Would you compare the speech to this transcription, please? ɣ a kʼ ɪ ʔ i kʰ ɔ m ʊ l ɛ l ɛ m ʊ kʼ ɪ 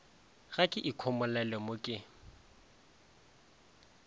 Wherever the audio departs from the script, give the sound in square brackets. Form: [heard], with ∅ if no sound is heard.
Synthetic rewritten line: ɣ a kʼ ɪ ʔ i kʰ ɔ m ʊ l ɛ l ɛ m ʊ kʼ ɪ